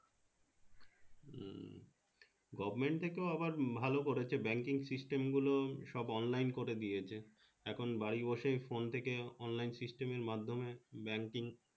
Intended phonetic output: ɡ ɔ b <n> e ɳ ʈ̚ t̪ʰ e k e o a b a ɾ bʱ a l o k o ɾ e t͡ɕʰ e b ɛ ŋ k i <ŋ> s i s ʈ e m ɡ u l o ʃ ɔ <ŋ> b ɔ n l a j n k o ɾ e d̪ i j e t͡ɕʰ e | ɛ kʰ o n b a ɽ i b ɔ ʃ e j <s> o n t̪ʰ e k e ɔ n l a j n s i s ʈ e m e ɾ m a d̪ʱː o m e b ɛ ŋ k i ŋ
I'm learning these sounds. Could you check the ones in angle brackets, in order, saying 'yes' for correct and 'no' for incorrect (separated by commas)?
no, yes, no, no